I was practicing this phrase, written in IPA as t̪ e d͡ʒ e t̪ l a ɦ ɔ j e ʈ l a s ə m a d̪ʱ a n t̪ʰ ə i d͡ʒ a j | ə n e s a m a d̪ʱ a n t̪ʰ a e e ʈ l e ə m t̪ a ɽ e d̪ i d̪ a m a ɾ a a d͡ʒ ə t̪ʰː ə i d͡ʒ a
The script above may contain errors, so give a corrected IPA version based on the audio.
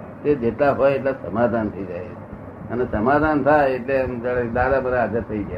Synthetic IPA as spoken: t̪ e d͡ʒ e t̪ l a ɦ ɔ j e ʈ l a s ə m a d̪ʱ a n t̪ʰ ə i d͡ʒ a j | ə n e s ə m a d̪ʱ a n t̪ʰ a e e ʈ l e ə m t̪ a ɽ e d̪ a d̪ a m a ɾ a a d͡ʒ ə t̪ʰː ə i d͡ʒ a